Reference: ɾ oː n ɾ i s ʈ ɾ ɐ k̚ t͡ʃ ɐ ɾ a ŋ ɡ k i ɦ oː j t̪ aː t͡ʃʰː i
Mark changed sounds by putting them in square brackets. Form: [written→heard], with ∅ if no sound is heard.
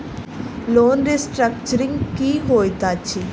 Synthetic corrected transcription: [ɾ→l] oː n ɾ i s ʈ ɾ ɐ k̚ t͡ʃ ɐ ɾ [a→i] ŋ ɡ k i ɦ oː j t̪ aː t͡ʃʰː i

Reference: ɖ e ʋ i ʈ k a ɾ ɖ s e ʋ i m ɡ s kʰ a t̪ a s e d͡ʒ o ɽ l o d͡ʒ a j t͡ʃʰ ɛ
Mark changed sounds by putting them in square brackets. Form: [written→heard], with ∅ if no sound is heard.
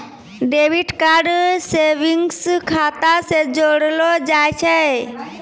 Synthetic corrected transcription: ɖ e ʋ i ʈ k a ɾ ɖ s e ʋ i [m→ŋ] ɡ s kʰ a t̪ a s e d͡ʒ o ɽ l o d͡ʒ a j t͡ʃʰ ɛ

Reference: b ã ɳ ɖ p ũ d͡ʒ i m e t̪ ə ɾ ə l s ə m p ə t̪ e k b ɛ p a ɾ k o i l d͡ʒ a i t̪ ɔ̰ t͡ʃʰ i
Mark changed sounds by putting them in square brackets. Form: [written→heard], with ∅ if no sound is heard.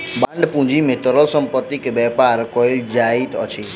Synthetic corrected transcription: b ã ɳ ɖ p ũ d͡ʒ i m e t̪ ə ɾ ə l s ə m p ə t̪ [e→i] k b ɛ p a ɾ k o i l d͡ʒ a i t̪ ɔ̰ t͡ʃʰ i

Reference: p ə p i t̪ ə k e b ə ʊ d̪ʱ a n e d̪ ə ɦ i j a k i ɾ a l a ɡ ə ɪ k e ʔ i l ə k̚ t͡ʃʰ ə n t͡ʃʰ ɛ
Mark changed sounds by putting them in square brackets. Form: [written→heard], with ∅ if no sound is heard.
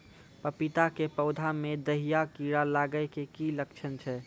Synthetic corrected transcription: p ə p i t̪ [ə→a] k e [b→p] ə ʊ d̪ʱ a [n→m] e d̪ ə ɦ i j a k i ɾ a l a ɡ ə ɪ k e [ʔ→k] i l ə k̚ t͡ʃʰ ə n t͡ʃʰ ɛ

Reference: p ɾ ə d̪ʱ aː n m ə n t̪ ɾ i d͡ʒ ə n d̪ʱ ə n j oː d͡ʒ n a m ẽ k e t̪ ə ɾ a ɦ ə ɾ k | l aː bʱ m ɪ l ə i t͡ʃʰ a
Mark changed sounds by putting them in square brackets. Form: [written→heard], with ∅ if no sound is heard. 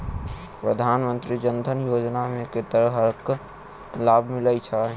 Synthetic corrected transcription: p ɾ ə d̪ʱ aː n m ə n t̪ ɾ i d͡ʒ ə n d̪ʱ ə n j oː d͡ʒ n a m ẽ k e t̪ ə ɾ [a→ə] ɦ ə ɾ k | l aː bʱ m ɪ l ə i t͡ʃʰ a

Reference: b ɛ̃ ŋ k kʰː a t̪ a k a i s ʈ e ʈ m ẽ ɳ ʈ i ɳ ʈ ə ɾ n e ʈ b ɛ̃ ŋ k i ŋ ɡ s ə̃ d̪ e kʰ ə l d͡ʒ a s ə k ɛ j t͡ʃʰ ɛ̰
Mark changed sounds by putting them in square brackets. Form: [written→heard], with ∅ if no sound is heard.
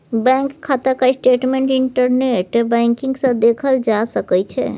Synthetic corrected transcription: b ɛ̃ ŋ k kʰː a t̪ a k a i s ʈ e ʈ m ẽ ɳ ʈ i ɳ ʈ ə ɾ n e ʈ b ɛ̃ ŋ k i ŋ ɡ s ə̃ d̪ e kʰ ə l d͡ʒ a s ə k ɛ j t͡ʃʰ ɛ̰

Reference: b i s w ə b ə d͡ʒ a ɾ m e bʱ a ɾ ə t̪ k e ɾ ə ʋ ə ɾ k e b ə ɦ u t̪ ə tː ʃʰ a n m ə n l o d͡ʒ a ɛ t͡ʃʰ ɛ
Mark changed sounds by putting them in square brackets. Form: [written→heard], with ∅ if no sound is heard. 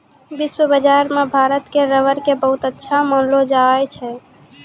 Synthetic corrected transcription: b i s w ə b ə d͡ʒ a ɾ m e bʱ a ɾ ə t̪ k e ɾ ə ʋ ə ɾ k e b ə ɦ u t̪ ə tː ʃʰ a [n→∅] m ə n l o d͡ʒ a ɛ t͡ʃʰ ɛ

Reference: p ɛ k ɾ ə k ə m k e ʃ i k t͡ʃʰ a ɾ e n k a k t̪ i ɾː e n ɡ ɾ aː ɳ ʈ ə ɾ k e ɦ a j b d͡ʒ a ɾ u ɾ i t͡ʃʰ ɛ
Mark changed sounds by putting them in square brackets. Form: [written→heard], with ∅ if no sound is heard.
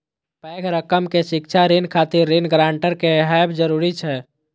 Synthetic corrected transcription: p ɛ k ɾ ə k ə m k e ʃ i k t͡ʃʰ a ɾ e n [k→kʰ] a [k→∅] t̪ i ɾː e n ɡ ɾ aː ɳ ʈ ə ɾ k e ɦ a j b d͡ʒ [a→ə] ɾ u ɾ i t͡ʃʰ ɛ

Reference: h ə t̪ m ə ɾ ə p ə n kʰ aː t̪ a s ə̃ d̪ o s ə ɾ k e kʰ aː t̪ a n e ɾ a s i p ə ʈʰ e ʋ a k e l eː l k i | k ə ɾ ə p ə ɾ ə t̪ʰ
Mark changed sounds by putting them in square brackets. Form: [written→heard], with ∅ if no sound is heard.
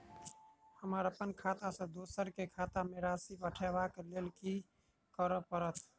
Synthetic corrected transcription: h ə [t̪→∅] m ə ɾ ə p ə n kʰ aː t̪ a s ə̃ d̪ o s ə ɾ k e kʰ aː t̪ a [n→m] e ɾ a s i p ə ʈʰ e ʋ a k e l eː l k i | k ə ɾ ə p ə ɾ ə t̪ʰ

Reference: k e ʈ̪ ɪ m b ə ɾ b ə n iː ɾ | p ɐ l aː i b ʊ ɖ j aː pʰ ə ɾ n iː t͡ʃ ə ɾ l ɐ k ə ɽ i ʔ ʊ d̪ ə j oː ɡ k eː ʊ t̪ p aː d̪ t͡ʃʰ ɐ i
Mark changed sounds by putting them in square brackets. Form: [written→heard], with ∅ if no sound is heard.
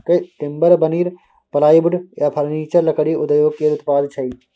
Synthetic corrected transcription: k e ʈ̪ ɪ m b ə ɾ b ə n iː ɾ | p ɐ l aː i b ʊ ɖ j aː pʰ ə ɾ n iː t͡ʃ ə ɾ l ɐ k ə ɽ i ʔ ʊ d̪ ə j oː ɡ k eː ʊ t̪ p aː d̪ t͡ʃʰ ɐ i

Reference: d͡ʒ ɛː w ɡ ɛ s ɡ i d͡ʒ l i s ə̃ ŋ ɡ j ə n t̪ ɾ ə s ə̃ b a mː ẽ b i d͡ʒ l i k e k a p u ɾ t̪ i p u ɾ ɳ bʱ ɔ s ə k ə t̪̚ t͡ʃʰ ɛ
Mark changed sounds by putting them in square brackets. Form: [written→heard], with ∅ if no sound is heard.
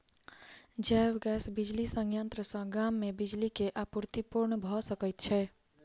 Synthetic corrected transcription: d͡ʒ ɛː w ɡ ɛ s [ɡ→b] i d͡ʒ l i s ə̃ ŋ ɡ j ə n t̪ ɾ ə s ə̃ [b→ɡ] a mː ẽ b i d͡ʒ l i k e [k→ʔ] a p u ɾ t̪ i p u ɾ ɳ bʱ ɔ s ə k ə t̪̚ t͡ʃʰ ɛ

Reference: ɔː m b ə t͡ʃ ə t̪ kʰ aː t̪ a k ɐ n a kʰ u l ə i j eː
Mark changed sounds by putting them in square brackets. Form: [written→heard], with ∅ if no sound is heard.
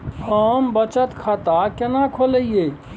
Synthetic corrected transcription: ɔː m b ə t͡ʃ ə t̪ kʰ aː t̪ a k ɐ n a kʰ [u→o] l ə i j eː

